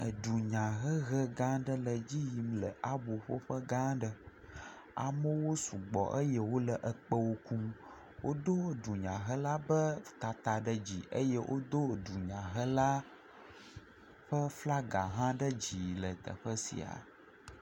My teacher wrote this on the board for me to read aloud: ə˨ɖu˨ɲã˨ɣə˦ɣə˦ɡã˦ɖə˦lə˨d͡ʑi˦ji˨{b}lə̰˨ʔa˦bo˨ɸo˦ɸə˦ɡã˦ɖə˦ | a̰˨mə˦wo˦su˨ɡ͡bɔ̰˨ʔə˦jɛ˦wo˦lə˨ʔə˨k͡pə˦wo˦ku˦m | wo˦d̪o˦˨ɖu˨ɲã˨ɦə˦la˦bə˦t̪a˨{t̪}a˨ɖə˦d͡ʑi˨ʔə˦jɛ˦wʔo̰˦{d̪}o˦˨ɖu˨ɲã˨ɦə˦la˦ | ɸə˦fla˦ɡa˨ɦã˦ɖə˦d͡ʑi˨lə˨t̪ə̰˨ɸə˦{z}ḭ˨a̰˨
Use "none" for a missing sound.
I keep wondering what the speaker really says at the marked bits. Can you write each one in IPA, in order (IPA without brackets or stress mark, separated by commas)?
m, t̪, d̪, s